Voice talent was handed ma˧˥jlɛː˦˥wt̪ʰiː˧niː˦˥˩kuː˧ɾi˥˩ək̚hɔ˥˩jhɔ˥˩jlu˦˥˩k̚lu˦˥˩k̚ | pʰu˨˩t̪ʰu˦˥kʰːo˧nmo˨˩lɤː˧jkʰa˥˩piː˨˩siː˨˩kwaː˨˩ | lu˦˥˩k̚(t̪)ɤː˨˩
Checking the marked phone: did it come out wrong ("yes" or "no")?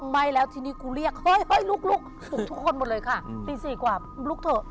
yes